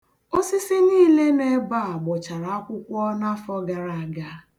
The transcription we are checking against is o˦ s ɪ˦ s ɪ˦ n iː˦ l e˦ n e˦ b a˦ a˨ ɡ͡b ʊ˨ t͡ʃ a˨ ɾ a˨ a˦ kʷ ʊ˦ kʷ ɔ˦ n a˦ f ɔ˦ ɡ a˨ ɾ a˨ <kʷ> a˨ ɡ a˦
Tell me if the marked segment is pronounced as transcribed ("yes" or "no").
no